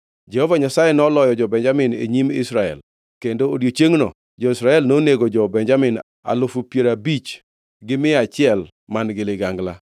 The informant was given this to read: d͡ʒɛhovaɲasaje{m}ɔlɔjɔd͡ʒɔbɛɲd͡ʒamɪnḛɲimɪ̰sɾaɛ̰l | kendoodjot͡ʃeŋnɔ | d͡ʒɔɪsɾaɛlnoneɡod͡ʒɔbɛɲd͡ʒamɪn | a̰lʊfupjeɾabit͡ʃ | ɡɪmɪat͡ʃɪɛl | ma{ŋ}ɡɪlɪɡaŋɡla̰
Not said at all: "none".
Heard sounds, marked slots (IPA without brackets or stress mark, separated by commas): n, n